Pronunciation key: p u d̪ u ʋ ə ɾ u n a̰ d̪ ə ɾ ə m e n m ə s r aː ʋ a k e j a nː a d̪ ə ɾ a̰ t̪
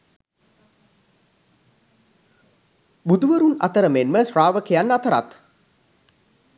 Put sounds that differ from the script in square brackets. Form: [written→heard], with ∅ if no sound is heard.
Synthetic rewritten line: [p→b] u d̪ u ʋ ə ɾ u n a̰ [d̪→t̪] ə ɾ ə m e n m ə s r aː ʋ [a→ə] k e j a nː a [d̪→t̪] ə ɾ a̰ t̪

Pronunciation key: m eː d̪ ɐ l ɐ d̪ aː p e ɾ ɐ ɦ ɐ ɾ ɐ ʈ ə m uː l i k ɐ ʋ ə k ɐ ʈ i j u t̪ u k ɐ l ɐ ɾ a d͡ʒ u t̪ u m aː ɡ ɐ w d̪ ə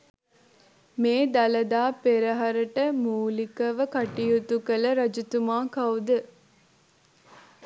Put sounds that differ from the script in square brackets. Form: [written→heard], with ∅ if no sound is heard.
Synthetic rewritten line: m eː d̪ ɐ l ɐ d̪ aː p e ɾ ɐ ɦ ɐ ɾ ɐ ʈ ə m uː l i k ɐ ʋ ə k ɐ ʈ i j u t̪ u k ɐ l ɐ ɾ [a→ɐ] d͡ʒ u t̪ u m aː [ɡ→k] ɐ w d̪ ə

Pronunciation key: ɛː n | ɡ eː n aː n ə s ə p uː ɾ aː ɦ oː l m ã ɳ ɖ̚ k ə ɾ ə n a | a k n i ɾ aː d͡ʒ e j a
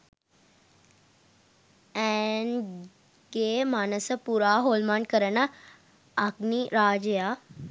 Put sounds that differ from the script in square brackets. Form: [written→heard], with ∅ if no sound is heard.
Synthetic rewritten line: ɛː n | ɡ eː [n→m] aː n ə s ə p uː ɾ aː ɦ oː l m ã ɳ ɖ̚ k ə ɾ ə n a | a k n i ɾ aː d͡ʒ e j a

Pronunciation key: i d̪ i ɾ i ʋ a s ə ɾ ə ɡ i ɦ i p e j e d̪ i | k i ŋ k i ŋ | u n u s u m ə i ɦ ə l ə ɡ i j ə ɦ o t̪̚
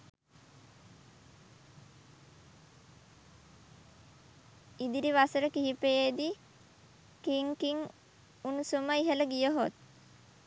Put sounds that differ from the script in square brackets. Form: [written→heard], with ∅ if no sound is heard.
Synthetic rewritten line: i d̪ i ɾ i ʋ a s ə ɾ ə [ɡ→k] i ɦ i p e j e d̪ i | k i ŋ k i ŋ | u n u s u m ə i ɦ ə l ə ɡ i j ə ɦ o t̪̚

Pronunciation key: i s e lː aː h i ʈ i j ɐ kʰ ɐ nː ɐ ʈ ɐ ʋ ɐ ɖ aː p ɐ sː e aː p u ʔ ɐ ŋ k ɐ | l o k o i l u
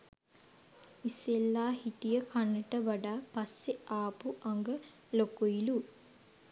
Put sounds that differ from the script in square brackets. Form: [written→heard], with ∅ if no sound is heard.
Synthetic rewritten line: i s e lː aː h i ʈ i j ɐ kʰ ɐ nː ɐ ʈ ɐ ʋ ɐ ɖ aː p ɐ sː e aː p u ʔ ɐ ŋ [k→ɡ] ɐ | l o k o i l u

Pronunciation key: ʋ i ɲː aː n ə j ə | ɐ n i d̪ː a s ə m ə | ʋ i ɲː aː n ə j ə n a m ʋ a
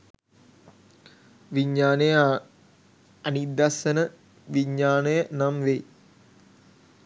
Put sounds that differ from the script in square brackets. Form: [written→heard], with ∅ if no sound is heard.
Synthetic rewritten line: ʋ i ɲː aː n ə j ə | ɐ n i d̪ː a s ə [m→n] ə | ʋ i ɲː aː n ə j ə n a m ʋ [a→e]

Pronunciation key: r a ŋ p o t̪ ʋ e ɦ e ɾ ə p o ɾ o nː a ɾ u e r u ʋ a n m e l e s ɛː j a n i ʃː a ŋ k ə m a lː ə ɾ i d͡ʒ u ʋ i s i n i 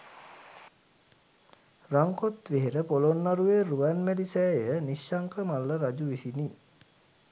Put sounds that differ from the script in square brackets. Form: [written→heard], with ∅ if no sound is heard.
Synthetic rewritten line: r a ŋ [p→k] o t̪ ʋ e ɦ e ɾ ə p o [ɾ→l] o nː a ɾ u e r u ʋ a n m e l [e→i] s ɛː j [a→ə] n i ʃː a ŋ k ə m a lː ə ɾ [i→a] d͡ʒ u ʋ i s i n i

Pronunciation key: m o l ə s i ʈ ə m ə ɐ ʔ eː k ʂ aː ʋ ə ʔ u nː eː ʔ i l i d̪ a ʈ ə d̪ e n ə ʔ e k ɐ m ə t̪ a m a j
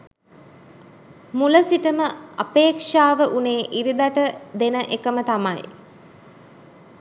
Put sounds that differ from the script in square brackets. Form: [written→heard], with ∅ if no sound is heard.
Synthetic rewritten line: m [o→u] l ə s i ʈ ə m ə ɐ [ʔ→p] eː k ʂ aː ʋ ə ʔ u [nː→n] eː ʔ i [l→ɾ] i d̪ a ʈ ə d̪ e n ə ʔ e k [ɐ→ə] m ə t̪ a m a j

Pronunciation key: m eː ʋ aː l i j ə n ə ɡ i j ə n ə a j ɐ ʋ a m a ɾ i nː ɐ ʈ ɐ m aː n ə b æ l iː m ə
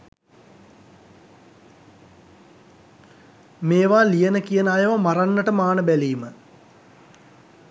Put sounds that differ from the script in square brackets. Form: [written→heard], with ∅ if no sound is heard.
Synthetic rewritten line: m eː ʋ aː l i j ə n ə [ɡ→k] i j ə n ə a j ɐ ʋ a m a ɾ [i→a] nː [ɐ→ə] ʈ [ɐ→ə] m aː n ə b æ l iː m ə

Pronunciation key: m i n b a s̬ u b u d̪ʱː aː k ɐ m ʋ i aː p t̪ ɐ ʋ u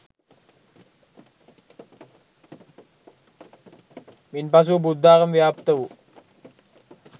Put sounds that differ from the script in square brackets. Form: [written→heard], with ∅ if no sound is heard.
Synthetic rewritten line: m i n [b→p] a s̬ u b u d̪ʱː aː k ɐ m ʋ [i→j] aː p t̪ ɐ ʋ u

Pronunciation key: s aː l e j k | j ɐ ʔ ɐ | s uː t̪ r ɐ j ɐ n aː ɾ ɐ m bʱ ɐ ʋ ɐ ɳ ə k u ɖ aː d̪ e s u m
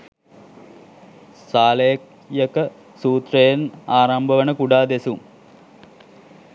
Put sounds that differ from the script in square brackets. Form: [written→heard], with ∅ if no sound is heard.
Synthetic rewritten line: s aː l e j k | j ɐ [ʔ→k] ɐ | s uː t̪ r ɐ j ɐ n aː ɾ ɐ m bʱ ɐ ʋ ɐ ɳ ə k u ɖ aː d̪ e s u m

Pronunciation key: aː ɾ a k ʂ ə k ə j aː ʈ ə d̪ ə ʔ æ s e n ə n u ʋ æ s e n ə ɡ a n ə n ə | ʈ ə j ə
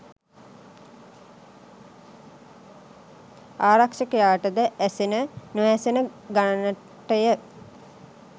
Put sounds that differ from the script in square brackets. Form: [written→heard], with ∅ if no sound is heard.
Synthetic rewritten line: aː ɾ a k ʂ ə k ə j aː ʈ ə d̪ ə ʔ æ s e n ə n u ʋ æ s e n ə ɡ a n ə n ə | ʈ ə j ə

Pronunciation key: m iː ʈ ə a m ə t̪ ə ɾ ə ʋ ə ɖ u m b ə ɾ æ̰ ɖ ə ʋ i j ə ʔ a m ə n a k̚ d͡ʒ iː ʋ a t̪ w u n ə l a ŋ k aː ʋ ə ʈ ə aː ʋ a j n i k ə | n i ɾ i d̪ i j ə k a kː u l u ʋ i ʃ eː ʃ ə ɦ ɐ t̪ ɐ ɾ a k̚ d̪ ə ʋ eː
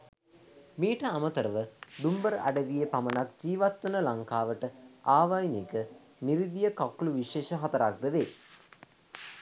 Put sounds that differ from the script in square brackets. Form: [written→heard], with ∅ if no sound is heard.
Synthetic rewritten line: m iː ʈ ə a m ə t̪ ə ɾ ə ʋ ə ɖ u m b ə ɾ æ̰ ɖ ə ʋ i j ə [ʔ→p] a m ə n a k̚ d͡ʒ iː ʋ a t̪ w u n ə l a ŋ k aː ʋ ə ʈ ə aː ʋ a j n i k ə | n i ɾ i d̪ i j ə k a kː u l u ʋ i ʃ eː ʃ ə ɦ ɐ t̪ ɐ ɾ a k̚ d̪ ə ʋ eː

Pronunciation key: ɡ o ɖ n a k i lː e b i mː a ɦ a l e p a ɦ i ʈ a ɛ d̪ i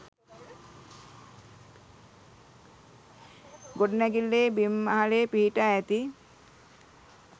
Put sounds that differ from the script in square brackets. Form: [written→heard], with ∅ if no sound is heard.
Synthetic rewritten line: ɡ o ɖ n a [k→ɡ] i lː e b i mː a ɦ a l e p [a→i] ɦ i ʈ a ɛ [d̪→t̪] i

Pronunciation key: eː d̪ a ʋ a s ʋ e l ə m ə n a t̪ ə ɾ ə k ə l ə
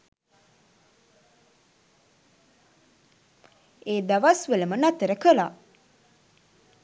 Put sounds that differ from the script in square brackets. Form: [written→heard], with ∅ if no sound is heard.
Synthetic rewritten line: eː d̪ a ʋ a s ʋ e l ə m ə n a t̪ ə ɾ ə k ə l [ə→a]

